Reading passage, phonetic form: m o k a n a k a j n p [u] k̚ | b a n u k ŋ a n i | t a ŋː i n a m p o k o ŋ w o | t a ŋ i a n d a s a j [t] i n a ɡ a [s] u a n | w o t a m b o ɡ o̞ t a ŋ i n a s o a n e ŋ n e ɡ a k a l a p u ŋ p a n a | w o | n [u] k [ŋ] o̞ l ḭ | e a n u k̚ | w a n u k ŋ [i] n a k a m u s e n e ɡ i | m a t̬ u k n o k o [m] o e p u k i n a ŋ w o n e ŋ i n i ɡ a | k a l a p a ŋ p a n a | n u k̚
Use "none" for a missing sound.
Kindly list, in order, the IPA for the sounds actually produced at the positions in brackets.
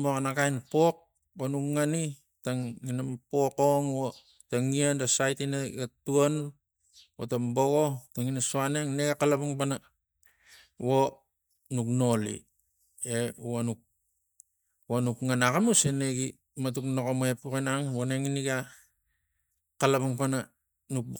o, t, t, u, n, a, m

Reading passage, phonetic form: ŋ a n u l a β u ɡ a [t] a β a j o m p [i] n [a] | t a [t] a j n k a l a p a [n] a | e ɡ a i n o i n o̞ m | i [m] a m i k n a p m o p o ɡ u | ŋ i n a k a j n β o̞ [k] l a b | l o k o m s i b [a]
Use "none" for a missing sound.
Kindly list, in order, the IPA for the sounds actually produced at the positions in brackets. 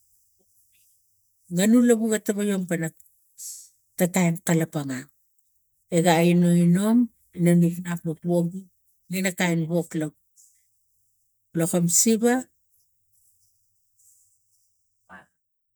t, a, a, t, ŋ, n, k, a

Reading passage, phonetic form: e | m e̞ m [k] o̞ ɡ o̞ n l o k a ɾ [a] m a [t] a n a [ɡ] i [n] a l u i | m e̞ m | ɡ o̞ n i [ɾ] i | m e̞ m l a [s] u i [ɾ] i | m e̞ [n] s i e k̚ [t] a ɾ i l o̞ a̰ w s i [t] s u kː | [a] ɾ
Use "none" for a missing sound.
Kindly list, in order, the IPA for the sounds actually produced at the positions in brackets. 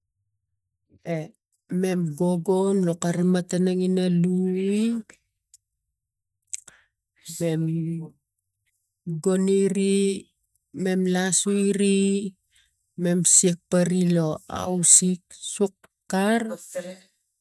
ɡ, i, t, ŋ, n, ɾ, s, ɾ, m, p, k, a

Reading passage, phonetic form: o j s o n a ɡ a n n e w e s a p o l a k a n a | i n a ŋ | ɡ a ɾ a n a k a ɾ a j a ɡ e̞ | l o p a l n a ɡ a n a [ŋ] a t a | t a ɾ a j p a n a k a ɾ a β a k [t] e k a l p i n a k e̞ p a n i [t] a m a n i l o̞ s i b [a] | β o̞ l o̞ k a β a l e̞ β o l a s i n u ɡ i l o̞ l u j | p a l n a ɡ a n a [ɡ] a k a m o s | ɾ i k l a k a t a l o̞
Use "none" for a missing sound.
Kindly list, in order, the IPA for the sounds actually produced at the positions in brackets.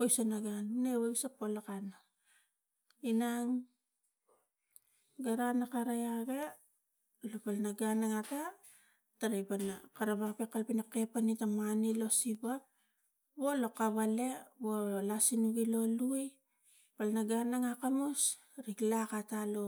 ŋ, p, t, a, ŋ

